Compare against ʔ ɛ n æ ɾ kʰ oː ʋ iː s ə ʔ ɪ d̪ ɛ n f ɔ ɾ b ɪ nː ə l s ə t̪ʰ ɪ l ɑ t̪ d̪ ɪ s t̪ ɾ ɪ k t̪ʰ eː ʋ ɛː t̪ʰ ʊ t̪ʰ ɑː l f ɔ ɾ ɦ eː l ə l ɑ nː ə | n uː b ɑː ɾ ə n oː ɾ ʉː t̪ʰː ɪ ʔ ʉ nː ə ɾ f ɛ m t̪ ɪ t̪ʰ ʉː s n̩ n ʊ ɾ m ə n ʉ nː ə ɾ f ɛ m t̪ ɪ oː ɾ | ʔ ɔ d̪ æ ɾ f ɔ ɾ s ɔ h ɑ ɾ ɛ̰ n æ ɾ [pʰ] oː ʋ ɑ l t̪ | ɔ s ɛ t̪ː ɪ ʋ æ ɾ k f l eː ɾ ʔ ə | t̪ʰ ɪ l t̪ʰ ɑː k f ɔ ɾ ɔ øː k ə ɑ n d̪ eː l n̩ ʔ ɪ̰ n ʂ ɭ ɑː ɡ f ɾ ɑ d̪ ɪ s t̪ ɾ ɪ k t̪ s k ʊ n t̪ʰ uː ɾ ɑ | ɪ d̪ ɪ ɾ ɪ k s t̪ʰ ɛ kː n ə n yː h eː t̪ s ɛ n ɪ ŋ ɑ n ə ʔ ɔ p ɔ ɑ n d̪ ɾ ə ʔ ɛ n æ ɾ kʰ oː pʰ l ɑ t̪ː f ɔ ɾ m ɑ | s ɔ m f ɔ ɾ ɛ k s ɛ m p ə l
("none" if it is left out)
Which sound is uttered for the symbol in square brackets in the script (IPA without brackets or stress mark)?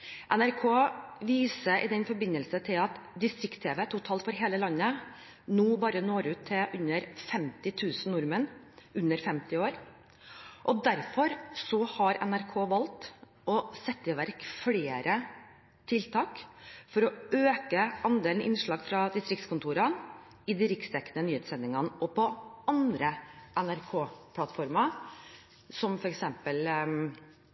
kʰ